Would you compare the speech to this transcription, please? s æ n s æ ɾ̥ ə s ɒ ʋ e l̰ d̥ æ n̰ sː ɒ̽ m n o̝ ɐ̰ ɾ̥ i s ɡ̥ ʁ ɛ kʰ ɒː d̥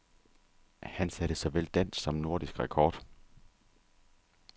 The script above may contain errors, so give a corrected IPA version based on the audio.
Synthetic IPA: h æ n s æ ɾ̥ ə s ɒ ʋ e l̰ d̥ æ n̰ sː ɒ̽ m n o̝ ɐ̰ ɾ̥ i s ɡ̥ ʁ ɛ kʰ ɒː d̥

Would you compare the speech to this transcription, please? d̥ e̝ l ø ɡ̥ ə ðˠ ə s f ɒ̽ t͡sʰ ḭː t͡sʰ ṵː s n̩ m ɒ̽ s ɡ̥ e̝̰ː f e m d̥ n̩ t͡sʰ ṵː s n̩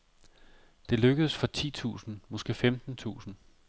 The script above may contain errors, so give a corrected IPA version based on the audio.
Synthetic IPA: d̥ e̝ l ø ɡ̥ ə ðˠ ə s f ɒ̽ t͡sʰ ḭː t͡sʰ ṵː s n̩ m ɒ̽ s ɡ̥ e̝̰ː f e m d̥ n̩ t͡sʰ ṵː s n̩

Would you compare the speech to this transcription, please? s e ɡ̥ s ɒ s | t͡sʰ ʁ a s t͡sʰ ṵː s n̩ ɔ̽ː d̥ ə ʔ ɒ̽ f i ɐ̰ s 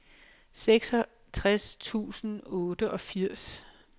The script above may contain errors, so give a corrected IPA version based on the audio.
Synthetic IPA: s e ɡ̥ s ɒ | t͡sʰ ʁ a s t͡sʰ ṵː s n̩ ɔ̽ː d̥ ə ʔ ɒ̽ f i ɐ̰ s

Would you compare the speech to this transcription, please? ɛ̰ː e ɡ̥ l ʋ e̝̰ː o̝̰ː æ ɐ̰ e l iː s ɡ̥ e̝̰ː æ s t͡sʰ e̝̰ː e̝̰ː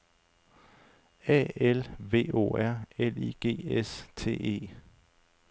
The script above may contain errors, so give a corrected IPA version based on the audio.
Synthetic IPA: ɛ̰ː e l ʋ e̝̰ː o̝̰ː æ ɐ̰ e l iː ɡ̥ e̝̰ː e s t͡sʰ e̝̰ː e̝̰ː

